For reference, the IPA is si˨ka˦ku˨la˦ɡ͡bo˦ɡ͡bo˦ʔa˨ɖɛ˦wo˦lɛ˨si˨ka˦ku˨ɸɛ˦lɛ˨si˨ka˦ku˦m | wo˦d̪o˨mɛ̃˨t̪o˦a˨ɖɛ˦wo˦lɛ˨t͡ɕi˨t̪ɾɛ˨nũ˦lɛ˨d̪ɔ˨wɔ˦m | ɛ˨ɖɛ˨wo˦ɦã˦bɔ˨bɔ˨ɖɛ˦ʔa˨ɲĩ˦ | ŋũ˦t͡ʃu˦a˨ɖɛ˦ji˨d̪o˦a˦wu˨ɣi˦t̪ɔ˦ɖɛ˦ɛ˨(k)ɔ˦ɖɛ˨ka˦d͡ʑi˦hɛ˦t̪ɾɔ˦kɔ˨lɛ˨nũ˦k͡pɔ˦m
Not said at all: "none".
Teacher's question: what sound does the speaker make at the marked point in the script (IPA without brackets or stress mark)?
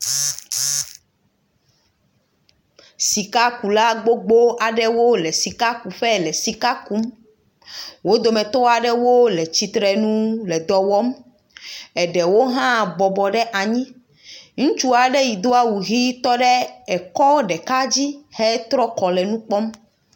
k